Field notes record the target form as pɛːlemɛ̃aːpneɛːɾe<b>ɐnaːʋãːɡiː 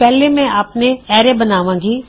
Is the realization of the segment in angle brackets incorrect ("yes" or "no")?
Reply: no